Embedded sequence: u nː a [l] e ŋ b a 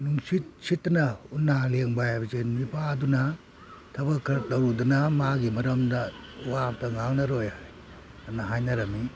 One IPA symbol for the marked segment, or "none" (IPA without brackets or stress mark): l